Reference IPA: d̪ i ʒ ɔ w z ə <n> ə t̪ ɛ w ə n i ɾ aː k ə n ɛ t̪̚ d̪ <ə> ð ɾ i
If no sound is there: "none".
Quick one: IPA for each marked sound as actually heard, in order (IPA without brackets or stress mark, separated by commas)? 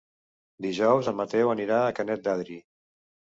m, a